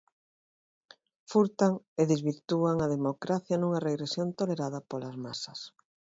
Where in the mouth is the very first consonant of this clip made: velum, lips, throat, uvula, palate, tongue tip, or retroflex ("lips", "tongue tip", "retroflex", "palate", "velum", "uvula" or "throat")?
lips